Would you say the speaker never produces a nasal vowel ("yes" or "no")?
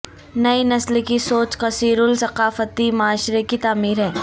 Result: yes